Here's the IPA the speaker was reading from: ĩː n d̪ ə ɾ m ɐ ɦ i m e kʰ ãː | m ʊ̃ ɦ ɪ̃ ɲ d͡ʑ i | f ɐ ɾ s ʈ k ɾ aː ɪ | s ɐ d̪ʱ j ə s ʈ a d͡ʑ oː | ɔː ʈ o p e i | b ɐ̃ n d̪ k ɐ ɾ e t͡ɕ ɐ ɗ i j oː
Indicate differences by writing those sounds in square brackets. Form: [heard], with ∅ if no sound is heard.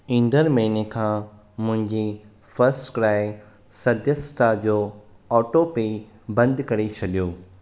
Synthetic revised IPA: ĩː n d̪ ə ɾ m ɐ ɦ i [n] e kʰ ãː | m ʊ̃ ɦ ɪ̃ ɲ d͡ʑ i | f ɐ ɾ s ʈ k ɾ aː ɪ | s ɐ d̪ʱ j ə s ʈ a d͡ʑ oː | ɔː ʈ o p e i | b ɐ̃ n d̪ k ɐ ɾ e [t͡ɕʰ] ɐ ɗ i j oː